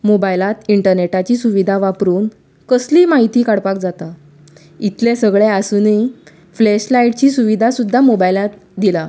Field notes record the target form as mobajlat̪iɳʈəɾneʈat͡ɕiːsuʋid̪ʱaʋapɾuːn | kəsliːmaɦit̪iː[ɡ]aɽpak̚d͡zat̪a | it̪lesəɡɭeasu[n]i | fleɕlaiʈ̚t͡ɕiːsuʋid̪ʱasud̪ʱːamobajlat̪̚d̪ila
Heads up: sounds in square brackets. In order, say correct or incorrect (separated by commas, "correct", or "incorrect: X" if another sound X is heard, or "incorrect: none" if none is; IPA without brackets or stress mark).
incorrect: k, correct